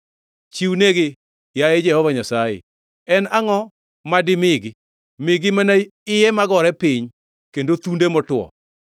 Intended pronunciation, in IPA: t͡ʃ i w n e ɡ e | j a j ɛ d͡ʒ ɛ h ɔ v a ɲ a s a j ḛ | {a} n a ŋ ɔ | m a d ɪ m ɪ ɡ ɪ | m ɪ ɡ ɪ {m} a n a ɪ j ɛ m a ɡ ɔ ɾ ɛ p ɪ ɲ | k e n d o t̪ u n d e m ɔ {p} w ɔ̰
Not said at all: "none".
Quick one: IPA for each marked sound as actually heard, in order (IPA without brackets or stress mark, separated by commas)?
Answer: ɛ, m, t